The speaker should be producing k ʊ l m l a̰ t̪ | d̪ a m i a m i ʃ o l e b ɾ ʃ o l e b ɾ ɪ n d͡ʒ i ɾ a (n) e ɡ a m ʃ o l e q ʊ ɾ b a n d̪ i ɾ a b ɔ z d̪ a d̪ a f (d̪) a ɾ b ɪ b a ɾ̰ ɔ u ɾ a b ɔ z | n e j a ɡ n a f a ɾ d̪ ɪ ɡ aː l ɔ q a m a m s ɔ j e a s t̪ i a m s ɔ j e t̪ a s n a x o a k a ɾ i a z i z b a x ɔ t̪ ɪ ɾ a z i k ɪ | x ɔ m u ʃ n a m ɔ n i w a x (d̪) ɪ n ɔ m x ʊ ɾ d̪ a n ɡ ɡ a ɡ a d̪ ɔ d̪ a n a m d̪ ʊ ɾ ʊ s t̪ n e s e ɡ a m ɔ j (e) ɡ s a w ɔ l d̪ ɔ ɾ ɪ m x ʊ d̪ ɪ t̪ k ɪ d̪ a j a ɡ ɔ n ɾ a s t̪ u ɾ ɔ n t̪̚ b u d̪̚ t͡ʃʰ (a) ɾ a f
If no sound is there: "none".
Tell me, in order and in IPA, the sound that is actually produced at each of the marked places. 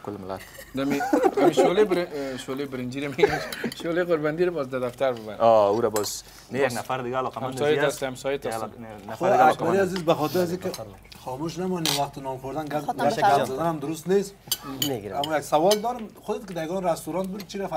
m, t̪, t̪, a, i

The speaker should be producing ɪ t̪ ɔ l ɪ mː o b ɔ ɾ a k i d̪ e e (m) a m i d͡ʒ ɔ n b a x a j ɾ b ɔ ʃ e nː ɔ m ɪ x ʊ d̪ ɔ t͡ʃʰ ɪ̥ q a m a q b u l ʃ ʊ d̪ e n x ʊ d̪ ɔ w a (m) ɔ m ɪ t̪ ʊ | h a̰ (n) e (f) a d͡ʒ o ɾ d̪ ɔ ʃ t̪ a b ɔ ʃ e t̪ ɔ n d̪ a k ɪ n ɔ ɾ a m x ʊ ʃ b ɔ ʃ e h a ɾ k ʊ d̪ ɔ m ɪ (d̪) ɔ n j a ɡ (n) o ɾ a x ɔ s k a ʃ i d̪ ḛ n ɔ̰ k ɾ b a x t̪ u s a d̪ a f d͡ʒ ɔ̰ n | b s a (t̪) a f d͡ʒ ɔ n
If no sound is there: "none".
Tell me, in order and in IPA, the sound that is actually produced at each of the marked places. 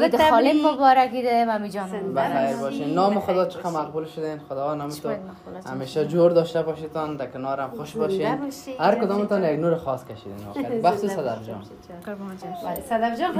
m, n, m, ʃ, t̪, n, d̪

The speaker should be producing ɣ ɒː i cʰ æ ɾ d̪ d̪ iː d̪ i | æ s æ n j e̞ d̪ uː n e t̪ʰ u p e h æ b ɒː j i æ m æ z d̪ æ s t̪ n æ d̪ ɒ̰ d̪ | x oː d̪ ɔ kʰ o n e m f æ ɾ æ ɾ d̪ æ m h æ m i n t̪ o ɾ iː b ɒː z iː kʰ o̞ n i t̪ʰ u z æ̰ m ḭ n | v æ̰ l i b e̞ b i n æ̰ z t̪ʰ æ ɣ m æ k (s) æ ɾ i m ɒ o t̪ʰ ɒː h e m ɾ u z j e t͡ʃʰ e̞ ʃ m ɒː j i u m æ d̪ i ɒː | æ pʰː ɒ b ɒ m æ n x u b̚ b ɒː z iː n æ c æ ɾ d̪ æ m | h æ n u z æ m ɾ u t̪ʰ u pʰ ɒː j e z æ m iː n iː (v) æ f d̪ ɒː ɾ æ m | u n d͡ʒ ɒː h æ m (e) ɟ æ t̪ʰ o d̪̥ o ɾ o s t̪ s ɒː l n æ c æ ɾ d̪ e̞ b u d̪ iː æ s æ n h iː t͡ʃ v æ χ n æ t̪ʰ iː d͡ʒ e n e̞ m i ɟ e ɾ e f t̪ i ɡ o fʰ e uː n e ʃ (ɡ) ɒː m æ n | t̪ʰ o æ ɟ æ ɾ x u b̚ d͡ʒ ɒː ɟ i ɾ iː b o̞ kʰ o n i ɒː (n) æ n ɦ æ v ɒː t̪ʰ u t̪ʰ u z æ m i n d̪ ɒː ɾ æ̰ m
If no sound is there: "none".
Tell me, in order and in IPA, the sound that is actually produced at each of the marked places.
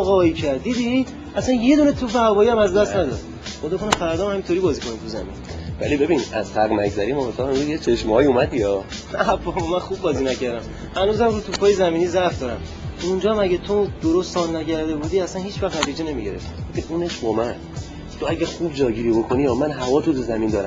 z, z, æ, b, m

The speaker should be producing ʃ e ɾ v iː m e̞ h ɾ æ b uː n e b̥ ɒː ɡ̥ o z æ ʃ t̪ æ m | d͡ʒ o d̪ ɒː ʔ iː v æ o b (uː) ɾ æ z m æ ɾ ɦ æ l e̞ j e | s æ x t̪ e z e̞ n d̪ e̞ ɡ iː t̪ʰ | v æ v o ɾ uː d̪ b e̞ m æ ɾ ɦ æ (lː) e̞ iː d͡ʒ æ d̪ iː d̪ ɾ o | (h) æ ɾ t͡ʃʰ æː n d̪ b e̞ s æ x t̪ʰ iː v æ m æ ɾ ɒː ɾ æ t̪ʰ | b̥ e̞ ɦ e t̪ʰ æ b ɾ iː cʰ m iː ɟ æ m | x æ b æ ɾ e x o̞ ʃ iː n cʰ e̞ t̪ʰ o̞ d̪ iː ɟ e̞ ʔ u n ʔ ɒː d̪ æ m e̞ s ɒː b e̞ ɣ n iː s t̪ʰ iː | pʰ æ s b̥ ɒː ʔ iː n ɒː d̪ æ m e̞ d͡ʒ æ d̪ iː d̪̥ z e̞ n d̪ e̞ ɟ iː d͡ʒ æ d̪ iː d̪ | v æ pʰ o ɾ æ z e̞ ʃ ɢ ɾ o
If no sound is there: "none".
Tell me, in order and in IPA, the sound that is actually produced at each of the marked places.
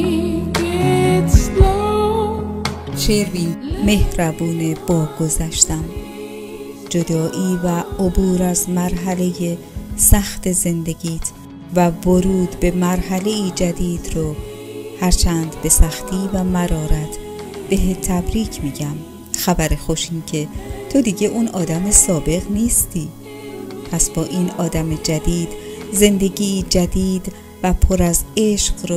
uː, l, h

